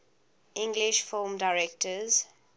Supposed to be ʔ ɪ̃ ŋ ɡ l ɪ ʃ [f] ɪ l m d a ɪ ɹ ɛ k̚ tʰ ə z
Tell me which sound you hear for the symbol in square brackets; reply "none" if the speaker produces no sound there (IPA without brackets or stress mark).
f